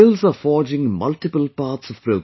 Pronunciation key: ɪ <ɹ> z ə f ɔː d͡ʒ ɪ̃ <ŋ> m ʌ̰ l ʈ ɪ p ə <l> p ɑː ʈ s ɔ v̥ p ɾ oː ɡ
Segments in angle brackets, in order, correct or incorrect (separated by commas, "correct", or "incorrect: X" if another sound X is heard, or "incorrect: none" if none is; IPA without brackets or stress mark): incorrect: l, correct, correct